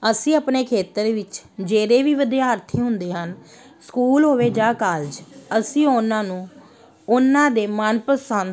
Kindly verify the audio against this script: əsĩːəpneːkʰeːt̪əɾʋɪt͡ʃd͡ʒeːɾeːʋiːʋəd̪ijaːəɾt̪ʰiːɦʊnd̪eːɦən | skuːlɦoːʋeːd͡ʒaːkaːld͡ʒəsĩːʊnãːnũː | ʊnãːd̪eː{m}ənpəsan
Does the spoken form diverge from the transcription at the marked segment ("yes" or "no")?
no